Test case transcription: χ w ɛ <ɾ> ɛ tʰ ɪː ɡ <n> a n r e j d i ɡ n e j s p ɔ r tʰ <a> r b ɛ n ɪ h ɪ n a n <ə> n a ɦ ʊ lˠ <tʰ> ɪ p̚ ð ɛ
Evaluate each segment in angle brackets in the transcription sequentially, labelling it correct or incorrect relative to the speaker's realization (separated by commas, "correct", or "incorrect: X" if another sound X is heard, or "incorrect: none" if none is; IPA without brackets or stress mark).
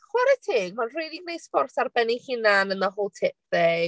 correct, incorrect: m, correct, correct, correct